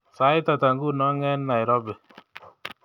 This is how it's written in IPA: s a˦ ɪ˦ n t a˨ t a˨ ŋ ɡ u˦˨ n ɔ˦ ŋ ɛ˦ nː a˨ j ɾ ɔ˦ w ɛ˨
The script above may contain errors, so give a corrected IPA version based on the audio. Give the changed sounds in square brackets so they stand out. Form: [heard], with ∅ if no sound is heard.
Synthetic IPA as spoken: s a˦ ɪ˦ [∅] t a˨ t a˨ ŋ ɡ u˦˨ n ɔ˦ ŋ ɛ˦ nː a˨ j ɾ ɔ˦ [b] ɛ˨